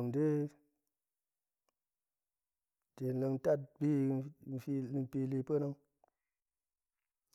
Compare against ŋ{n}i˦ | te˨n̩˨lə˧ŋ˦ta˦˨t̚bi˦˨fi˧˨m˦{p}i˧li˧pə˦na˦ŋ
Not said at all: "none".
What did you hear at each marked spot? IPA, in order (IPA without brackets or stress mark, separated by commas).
d, p